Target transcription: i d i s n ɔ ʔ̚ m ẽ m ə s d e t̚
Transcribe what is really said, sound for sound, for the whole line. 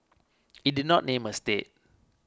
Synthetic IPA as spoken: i d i n ɔ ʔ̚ n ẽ m ə s t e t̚

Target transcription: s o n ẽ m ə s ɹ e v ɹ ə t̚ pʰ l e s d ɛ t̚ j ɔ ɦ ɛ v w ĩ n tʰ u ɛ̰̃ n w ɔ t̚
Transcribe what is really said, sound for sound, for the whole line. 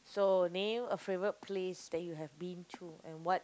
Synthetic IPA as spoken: s o n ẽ m ə f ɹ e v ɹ ə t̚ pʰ l e s d ɛ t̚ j u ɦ ɛ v b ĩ n tʰ u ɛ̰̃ n w ɔ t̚

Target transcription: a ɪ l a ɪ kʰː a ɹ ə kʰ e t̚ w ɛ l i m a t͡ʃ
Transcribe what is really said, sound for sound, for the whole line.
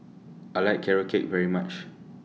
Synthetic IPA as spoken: a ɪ l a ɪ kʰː ɛ ɹ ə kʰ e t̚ v ɛ ɹ i m a t͡ʃ

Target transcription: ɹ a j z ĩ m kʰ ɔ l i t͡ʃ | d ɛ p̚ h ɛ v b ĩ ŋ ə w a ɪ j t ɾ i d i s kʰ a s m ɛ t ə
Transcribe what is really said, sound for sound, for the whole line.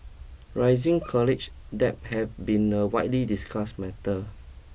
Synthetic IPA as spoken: ɹ a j z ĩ ŋ kʰ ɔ l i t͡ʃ | d ɛ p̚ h ɛ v b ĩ n ə w a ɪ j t l i d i s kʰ a s m ɛ t ə

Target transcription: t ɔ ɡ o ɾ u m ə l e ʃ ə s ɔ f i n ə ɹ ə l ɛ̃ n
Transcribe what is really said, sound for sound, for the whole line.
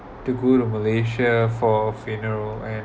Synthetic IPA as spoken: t u ɡ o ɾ u m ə l e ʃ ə f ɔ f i n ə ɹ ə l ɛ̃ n

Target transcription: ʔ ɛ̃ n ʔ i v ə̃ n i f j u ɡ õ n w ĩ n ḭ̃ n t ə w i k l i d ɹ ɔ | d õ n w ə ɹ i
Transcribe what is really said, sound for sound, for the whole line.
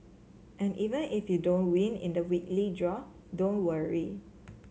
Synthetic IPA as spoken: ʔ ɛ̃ n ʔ i v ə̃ n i f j u d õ n w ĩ n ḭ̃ n d ə w i k l i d ɹ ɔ | d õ n w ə ɹ i

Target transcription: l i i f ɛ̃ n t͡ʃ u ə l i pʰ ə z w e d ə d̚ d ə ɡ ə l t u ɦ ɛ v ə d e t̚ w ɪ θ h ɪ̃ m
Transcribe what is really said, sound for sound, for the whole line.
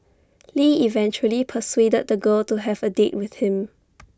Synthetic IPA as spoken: l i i v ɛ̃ n t͡ʃ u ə l i pʰ ə s w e d ə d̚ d ə ɡ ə l t u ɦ ɛ v ə d e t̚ w ɪ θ h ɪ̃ m

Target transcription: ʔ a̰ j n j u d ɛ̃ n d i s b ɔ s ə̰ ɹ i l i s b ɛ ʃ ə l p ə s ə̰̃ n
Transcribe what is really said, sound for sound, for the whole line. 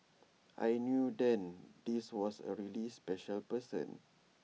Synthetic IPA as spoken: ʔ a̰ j n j u d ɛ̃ n d i s w ɔ s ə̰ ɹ i l i s p ɛ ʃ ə l p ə s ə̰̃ n

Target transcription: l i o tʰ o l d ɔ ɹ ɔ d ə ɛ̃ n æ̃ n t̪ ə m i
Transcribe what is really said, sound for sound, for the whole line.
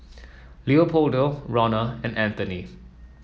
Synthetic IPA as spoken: l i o pʰ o l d o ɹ ɔ n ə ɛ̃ n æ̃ n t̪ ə n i

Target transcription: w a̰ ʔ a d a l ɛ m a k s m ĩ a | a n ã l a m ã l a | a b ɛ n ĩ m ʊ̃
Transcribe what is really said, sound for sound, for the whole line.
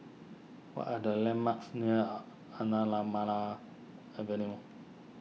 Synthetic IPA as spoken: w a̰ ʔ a d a l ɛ m a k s n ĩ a | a n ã l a m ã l a | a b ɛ n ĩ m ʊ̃

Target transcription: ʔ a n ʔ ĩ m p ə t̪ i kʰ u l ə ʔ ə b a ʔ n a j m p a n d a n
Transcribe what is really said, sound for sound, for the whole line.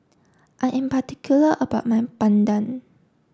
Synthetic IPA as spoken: ʔ a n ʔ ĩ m p a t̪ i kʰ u l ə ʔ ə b a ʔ m a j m p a n d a n

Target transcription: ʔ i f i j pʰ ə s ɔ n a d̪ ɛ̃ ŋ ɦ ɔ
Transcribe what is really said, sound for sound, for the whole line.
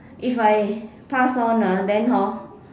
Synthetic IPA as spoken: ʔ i f a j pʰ a s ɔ n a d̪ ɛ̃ n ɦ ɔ

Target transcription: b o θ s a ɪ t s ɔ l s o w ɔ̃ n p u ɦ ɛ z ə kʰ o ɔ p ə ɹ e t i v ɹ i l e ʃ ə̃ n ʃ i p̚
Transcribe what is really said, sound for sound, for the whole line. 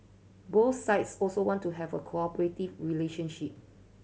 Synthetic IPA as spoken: b o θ s a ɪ t s ɔ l s o w ɔ̃ n t u ɦ ɛ v ə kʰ o ɔ p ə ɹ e t i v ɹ i l e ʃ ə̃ n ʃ i p̚

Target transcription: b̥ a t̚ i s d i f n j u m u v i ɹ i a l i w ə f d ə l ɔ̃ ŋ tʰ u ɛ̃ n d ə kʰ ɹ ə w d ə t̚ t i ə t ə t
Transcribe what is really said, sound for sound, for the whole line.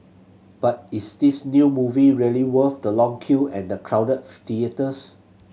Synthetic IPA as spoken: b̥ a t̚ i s d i s n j u m u v i ɹ i ə l i w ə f d ə l ɔ̃ ŋ kʰ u ɛ̃ n d ə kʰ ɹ a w d ə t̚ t i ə t ə s

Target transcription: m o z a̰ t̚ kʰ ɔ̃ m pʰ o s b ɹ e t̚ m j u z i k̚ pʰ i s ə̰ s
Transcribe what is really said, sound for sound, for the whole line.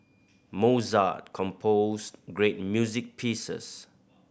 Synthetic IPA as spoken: m o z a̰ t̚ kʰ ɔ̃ m pʰ o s ɡ ɹ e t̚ m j u z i k̚ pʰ i s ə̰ s

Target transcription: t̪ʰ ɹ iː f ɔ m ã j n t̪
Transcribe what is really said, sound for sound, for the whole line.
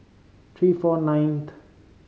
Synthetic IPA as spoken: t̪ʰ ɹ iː f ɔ n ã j n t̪

